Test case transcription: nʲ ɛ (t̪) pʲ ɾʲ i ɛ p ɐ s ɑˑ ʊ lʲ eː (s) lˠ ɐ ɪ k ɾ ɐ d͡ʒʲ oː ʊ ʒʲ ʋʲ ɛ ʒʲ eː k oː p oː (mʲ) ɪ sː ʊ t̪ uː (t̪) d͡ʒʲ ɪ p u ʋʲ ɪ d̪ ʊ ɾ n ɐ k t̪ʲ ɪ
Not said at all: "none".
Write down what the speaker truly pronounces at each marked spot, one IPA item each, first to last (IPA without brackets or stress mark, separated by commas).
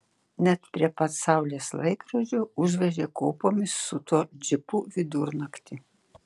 t̪, s, mʲ, none